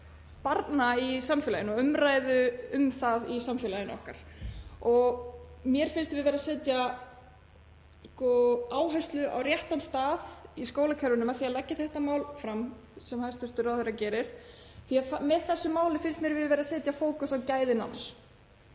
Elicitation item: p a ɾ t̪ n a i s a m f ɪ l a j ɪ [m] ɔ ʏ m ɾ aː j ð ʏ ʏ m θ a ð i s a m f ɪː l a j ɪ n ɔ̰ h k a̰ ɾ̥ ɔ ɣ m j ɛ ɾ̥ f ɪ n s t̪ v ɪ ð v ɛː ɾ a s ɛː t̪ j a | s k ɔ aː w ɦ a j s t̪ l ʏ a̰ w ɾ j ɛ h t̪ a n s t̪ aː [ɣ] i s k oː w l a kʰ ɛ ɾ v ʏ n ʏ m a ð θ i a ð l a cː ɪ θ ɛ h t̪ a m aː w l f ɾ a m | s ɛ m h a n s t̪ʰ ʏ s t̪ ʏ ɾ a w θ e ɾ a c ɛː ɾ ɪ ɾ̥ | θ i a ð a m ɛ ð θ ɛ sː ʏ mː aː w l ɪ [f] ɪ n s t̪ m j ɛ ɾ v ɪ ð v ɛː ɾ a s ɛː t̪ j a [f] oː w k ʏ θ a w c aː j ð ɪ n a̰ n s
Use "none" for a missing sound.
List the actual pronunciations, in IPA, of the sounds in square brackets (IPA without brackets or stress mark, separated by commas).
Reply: n, ð, f, f